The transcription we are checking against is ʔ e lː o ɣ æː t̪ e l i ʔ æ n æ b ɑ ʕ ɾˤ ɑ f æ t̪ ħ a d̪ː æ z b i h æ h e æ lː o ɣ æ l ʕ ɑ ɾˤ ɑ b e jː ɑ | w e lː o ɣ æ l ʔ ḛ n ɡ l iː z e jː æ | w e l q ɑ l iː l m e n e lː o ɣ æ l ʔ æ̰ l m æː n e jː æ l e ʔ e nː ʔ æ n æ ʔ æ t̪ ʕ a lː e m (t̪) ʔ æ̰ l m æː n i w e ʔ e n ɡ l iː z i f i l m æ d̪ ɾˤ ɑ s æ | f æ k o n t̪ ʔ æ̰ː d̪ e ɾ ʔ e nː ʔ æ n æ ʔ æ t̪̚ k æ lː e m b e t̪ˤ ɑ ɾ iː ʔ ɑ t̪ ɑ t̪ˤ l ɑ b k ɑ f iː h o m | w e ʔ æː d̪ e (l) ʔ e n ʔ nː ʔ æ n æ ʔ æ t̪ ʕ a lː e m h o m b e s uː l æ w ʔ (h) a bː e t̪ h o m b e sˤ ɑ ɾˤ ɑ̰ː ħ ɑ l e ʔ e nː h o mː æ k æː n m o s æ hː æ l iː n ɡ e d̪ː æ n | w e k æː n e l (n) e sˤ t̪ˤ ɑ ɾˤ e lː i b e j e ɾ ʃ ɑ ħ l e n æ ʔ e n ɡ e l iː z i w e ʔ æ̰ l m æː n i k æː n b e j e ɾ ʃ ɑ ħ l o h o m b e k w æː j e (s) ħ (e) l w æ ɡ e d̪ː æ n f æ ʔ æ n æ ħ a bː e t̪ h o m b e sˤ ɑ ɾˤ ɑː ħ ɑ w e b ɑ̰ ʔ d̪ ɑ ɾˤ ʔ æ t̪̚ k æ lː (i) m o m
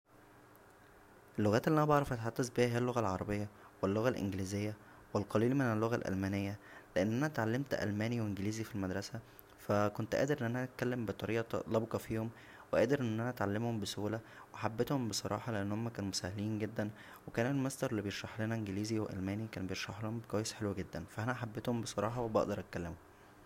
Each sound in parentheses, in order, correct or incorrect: correct, incorrect, incorrect, incorrect, correct, correct, incorrect

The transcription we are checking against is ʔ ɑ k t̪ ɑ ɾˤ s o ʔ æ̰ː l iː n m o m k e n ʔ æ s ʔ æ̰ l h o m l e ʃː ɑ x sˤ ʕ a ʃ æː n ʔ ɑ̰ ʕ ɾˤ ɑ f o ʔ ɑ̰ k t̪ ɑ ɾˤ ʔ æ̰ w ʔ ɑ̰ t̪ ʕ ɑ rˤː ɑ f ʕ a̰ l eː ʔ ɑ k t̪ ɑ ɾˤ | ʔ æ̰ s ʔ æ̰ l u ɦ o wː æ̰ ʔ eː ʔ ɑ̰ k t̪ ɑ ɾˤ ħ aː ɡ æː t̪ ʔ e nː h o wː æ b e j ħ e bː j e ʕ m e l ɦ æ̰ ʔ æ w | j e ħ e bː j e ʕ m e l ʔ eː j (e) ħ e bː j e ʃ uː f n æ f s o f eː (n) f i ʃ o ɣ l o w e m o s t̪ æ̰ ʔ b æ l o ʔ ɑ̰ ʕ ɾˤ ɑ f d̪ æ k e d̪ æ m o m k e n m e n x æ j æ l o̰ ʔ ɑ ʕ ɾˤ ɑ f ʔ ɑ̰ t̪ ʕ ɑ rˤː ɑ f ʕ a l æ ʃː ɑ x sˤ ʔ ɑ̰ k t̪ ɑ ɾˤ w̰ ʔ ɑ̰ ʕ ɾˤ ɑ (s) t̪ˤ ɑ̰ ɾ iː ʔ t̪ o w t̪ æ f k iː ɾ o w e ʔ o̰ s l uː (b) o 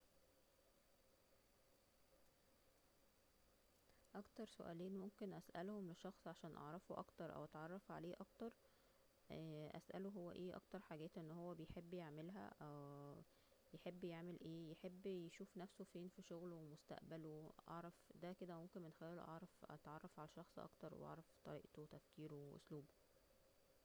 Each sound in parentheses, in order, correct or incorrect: correct, correct, incorrect, correct

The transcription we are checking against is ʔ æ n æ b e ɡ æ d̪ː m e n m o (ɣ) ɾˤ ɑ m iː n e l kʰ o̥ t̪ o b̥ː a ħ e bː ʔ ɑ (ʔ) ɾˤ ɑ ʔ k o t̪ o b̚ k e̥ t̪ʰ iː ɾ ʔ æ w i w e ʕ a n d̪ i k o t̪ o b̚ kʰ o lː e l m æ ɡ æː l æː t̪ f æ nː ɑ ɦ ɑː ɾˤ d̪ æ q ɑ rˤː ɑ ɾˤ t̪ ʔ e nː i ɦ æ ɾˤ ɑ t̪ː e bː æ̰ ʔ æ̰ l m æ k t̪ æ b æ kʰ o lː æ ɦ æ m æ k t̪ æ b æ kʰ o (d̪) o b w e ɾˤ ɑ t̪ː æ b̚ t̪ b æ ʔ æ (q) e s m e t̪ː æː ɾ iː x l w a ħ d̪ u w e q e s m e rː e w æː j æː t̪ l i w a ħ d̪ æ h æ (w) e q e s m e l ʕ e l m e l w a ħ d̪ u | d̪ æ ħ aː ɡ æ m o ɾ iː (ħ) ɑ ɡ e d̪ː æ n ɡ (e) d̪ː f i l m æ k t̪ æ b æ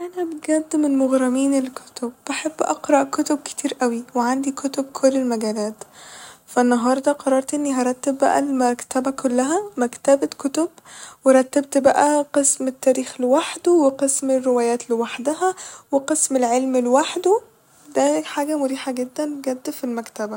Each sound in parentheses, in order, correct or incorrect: correct, incorrect, incorrect, correct, correct, correct, incorrect

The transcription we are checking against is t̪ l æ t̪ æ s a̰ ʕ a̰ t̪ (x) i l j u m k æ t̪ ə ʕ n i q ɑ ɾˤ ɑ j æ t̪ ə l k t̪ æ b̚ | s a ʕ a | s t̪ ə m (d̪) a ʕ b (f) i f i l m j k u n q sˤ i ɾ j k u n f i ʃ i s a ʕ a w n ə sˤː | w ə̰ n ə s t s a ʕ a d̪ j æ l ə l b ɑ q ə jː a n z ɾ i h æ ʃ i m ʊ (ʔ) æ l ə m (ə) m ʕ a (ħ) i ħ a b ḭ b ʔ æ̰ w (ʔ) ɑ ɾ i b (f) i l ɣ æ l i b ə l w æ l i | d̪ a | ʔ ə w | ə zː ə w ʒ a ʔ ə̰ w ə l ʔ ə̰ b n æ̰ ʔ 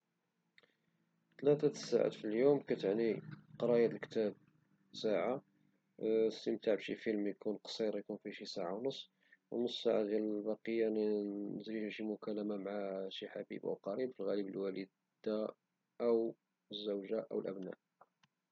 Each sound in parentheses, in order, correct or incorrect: incorrect, incorrect, incorrect, incorrect, incorrect, incorrect, incorrect, correct

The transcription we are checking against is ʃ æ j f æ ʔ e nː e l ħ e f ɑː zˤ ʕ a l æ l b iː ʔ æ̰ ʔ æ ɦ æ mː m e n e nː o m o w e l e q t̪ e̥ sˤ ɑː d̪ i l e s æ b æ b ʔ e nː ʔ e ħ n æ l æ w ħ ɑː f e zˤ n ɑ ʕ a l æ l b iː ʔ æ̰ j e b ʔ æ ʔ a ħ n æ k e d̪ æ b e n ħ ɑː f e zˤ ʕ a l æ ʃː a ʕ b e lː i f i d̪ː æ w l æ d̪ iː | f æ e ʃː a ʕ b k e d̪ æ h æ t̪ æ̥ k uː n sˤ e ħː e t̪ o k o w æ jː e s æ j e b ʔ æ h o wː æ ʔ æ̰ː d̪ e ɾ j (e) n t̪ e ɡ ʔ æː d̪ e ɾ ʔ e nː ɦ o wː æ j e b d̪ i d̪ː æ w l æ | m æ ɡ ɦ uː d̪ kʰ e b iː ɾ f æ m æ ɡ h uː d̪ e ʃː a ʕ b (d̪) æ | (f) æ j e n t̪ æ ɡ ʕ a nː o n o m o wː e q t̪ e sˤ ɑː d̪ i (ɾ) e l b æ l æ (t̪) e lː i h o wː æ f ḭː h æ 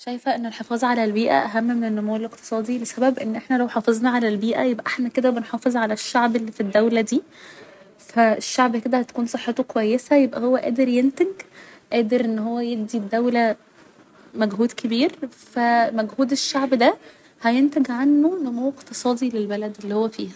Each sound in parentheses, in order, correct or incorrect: correct, correct, incorrect, incorrect, incorrect

